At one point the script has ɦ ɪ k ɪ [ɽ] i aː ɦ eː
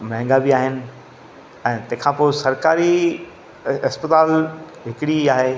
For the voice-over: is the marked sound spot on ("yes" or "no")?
yes